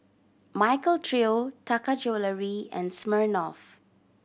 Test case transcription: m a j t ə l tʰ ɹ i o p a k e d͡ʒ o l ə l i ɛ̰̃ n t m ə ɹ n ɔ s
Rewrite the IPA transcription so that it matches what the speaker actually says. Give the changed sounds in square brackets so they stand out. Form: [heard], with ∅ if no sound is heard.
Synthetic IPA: m a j [k] ə l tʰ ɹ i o [t] a k [a] d͡ʒ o l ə [ɹ] i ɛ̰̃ n [s] m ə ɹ n ɔ [f]